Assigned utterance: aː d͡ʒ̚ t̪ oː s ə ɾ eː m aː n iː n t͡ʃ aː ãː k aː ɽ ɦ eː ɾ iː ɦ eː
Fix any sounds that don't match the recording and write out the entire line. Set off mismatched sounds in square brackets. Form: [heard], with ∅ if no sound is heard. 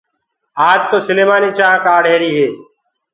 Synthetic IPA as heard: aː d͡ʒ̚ t̪ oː s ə [l] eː m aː n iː [∅] t͡ʃ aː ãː k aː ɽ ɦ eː ɾ iː ɦ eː